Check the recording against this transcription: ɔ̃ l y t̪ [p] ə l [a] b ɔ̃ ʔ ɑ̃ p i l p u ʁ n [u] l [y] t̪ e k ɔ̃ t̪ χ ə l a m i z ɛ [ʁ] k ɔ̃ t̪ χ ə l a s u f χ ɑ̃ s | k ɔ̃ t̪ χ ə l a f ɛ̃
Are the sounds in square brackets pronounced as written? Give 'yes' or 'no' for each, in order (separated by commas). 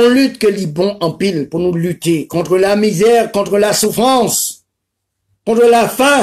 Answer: no, no, yes, yes, yes